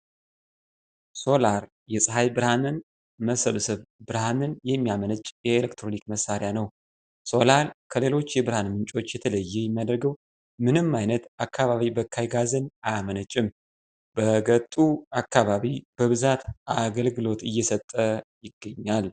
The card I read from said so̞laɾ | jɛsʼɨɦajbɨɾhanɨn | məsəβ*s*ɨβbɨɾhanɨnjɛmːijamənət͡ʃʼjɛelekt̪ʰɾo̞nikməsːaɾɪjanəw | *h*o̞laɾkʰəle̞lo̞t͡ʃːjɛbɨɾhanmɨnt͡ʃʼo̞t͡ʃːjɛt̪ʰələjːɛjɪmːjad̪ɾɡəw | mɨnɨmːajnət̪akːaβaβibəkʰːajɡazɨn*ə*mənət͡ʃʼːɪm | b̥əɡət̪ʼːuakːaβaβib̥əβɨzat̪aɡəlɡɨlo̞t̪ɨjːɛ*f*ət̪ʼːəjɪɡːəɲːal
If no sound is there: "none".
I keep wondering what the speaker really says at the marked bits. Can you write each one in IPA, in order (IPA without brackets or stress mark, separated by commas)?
s, s, a, s